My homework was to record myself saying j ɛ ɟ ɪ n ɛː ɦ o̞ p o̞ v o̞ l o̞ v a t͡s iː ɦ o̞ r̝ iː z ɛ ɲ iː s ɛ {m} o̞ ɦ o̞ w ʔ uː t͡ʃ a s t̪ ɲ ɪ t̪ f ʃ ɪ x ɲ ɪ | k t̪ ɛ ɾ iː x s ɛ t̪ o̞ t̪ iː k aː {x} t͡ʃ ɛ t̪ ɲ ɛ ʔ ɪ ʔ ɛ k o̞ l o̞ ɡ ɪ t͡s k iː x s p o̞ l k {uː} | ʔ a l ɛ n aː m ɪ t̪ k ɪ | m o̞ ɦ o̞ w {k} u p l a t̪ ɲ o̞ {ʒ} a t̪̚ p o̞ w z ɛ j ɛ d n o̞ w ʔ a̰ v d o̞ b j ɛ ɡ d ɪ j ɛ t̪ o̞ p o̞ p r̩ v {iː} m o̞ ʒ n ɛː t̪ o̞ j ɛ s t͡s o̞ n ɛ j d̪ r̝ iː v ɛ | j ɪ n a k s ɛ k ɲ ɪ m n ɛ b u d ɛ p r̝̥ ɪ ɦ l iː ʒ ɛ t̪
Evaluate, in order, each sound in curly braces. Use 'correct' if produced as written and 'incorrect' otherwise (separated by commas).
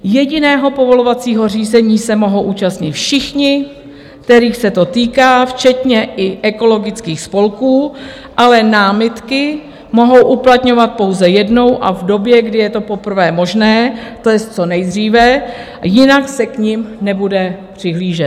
correct, incorrect, correct, incorrect, incorrect, incorrect